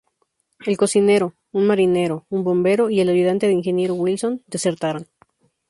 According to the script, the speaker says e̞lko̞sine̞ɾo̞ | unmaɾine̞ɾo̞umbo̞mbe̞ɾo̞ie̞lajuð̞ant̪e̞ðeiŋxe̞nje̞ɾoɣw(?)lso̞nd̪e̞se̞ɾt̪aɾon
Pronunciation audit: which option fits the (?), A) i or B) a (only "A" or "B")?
A